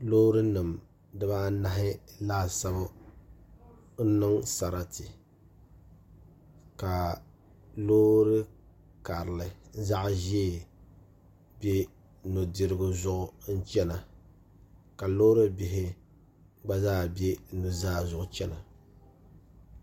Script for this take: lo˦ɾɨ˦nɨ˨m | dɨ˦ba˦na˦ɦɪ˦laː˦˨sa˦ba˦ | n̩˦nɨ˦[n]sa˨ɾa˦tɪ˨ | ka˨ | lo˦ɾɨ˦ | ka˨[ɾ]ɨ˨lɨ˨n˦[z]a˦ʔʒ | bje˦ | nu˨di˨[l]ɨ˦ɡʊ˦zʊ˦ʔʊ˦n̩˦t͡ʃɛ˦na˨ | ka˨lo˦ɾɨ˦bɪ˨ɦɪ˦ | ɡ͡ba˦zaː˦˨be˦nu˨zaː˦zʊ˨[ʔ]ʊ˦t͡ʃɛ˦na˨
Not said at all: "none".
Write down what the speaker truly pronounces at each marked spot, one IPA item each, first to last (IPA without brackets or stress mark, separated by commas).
ŋ, ɾ, z, ɾ, ʔ